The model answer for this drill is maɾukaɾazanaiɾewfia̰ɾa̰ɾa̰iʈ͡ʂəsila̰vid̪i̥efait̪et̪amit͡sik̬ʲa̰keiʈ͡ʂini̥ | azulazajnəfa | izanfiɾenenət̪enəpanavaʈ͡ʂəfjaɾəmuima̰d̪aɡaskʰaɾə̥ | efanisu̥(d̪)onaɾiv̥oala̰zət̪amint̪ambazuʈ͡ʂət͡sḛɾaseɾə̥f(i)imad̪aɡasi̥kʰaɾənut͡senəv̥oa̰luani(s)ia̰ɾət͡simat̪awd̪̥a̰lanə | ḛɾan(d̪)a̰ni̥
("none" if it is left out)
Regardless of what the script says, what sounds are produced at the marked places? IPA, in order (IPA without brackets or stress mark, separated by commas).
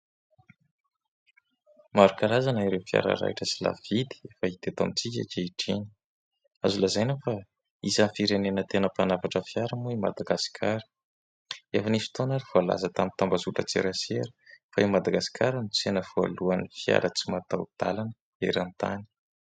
t̪, a, f, t̪